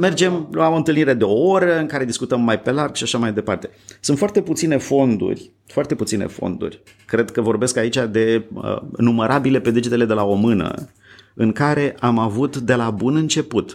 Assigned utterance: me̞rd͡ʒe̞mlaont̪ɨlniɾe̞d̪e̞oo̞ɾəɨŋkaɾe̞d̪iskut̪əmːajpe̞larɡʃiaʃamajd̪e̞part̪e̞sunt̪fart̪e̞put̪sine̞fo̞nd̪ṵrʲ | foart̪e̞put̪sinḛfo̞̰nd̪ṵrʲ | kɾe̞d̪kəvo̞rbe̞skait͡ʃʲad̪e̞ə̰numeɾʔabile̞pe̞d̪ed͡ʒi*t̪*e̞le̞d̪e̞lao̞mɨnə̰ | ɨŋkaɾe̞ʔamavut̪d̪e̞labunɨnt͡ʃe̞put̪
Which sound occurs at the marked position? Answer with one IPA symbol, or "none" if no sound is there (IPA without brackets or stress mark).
t̪